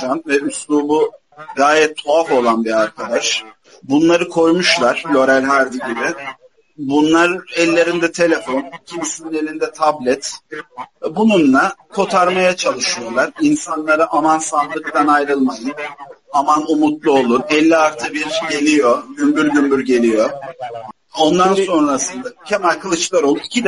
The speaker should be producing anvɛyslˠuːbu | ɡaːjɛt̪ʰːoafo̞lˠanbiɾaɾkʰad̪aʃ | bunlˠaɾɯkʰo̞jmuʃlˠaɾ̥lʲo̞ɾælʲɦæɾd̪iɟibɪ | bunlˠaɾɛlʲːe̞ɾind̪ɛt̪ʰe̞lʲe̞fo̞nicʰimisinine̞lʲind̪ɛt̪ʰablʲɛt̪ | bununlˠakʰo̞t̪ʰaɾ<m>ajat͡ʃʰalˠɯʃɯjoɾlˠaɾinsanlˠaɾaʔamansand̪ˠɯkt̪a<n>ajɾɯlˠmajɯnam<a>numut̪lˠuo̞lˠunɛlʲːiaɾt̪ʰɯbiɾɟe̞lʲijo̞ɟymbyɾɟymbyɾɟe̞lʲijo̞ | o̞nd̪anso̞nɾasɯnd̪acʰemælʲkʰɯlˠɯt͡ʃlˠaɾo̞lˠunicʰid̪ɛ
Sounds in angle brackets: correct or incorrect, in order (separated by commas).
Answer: correct, correct, correct